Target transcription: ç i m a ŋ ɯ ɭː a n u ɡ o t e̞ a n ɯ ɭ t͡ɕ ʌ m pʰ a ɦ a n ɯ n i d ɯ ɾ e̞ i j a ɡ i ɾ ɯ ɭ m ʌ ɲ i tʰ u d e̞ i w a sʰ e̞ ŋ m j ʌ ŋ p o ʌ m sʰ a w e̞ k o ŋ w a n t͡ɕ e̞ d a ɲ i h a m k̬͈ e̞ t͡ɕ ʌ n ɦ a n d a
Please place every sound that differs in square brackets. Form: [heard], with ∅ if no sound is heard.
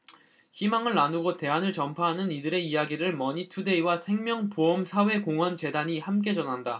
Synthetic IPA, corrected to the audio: ç i m a ŋ ɯ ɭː a n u ɡ o t e̞ a n ɯ ɭ t͡ɕ ʌ m pʰ a ɦ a n ɯ n i d ɯ ɾ e̞ i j a ɡ i ɾ ɯ ɭ m ʌ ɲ i tʰ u d e̞ i w a sʰ e̞ ŋ m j ʌ ŋ p o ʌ m sʰ a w e̞ k o ŋ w [ʌ] n t͡ɕ e̞ d a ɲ i h a m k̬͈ e̞ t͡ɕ ʌ n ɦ a n d a

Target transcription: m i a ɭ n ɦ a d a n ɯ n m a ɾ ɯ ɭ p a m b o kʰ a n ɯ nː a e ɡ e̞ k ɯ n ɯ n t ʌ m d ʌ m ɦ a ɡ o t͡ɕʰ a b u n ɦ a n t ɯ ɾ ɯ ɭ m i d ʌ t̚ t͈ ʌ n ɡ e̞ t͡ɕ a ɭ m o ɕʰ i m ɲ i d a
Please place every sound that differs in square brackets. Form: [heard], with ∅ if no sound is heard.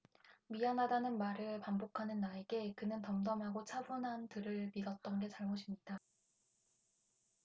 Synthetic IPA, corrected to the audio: m i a [∅] n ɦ a d a n ɯ n m a ɾ ɯ ɭ p a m b o kʰ a n ɯ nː a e ɡ e̞ k ɯ n ɯ n t ʌ m d ʌ m ɦ a ɡ o t͡ɕʰ a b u n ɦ a n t ɯ ɾ ɯ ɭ m i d ʌ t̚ t͈ ʌ n ɡ e̞ t͡ɕ a ɭ m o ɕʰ i m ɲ i d a

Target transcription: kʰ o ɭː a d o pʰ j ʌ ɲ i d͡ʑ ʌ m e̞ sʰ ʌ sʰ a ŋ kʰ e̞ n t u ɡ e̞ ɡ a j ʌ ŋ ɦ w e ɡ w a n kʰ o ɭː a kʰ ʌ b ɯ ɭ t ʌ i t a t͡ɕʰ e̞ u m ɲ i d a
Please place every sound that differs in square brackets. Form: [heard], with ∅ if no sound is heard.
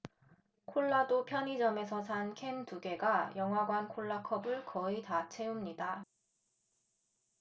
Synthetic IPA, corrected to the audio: kʰ o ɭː a d o pʰ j ʌ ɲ i d͡ʑ ʌ m e̞ sʰ ʌ sʰ a [n] kʰ e̞ n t u ɡ e̞ ɡ a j ʌ ŋ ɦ w [a] ɡ w a n kʰ o ɭː a kʰ ʌ b ɯ ɭ [k] ʌ i t a t͡ɕʰ e̞ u m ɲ i d a

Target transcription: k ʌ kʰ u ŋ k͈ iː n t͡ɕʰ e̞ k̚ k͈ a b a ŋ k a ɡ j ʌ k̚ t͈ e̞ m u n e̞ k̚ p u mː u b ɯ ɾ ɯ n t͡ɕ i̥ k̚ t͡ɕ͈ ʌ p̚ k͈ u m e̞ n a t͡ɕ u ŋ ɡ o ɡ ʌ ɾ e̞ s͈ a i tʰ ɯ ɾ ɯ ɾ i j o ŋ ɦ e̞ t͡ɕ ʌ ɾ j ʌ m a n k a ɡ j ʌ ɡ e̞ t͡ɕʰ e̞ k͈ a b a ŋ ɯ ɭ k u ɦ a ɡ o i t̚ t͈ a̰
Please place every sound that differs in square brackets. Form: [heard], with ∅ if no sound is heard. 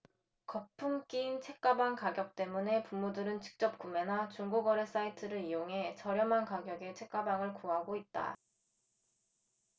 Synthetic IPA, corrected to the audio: k ʌ [pʰ] u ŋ k͈ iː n t͡ɕʰ e̞ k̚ k͈ a b a ŋ k a ɡ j ʌ k̚ t͈ e̞ m u n e̞ [∅] p u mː u [d] ɯ ɾ ɯ n t͡ɕ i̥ k̚ t͡ɕ͈ ʌ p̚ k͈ u m e̞ n a t͡ɕ u ŋ ɡ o ɡ ʌ ɾ e̞ s͈ a i tʰ ɯ ɾ ɯ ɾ i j o ŋ ɦ e̞ t͡ɕ ʌ ɾ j ʌ m a n k a ɡ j ʌ ɡ e̞ t͡ɕʰ e̞ k͈ a b a ŋ ɯ ɭ k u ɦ a ɡ o i t̚ t͈ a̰

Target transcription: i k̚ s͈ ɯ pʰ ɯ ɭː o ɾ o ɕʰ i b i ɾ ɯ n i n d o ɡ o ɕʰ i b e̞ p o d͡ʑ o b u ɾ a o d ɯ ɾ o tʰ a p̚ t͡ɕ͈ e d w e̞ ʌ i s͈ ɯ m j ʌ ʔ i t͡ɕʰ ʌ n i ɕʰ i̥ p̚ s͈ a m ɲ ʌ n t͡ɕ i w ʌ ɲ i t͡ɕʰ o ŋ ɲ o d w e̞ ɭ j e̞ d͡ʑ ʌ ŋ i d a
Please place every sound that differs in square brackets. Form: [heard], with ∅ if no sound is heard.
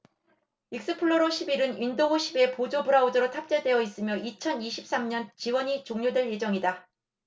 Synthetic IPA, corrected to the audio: i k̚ s͈ ɯ pʰ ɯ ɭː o ɾ o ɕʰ i b i ɾ ɯ n i n d o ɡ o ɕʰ i b e̞ p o d͡ʑ o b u ɾ a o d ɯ ɾ o tʰ a p̚ t͡ɕ͈ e d w e̞ ʌ i s͈ ɯ m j ʌ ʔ i t͡ɕʰ ʌ n i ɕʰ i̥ p̚ s͈ a m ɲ ʌ n t͡ɕ i w ʌ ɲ i [t͡ɕ] o ŋ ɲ o d w e̞ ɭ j e̞ d͡ʑ ʌ ŋ i d a

